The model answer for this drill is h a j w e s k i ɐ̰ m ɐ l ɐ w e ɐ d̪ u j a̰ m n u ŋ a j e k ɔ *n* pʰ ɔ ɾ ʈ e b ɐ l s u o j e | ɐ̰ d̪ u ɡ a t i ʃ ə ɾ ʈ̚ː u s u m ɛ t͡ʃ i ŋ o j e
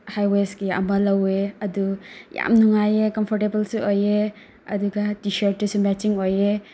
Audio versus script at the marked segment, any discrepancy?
yes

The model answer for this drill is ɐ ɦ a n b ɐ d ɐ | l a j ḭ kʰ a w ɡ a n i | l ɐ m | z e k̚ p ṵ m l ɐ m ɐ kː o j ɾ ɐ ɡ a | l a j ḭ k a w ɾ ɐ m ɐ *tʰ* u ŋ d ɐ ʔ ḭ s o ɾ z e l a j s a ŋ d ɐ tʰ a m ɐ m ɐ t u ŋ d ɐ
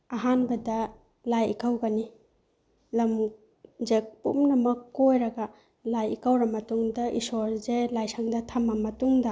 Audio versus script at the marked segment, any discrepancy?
yes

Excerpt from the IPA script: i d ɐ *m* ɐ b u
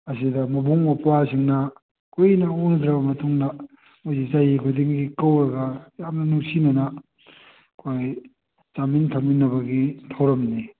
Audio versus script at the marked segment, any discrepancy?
no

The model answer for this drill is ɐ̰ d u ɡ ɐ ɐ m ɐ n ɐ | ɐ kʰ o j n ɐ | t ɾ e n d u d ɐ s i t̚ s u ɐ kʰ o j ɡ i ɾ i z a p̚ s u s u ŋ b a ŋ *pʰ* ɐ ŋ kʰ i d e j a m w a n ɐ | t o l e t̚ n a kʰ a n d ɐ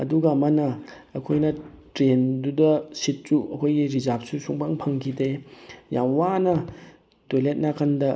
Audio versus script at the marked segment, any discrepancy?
no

